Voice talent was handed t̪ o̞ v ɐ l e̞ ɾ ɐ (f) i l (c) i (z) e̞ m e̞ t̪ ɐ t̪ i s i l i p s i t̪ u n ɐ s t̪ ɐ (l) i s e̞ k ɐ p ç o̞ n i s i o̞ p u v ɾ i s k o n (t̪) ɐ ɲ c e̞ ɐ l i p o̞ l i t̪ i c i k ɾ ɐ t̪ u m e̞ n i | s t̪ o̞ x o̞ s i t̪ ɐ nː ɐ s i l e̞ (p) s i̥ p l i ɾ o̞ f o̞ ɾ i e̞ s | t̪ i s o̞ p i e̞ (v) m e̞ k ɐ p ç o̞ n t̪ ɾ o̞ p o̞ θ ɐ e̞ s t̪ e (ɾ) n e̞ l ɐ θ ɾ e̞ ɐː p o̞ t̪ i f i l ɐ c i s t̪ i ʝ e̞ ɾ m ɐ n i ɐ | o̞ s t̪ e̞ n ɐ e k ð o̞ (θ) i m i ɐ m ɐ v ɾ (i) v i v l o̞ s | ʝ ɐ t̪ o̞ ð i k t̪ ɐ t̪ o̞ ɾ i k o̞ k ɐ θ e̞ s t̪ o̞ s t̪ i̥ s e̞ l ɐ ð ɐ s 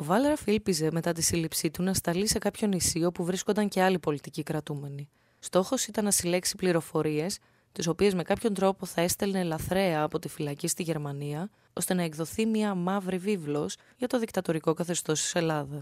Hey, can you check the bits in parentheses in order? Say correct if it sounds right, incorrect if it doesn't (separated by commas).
correct, incorrect, correct, correct, incorrect, incorrect, incorrect, incorrect, correct, correct